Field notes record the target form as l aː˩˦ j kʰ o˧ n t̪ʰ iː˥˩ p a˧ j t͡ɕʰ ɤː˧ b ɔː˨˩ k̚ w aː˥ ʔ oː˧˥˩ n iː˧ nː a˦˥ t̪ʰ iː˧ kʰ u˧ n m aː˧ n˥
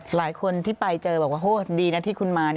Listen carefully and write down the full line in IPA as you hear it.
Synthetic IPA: l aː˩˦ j kʰ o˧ n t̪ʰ iː˥˩ p a˧ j t͡ɕ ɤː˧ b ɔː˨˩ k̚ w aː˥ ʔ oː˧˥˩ d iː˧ n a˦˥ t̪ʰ iː˥˩ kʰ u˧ n m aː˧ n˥